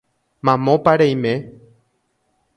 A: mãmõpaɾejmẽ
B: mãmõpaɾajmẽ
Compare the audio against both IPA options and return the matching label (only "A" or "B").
A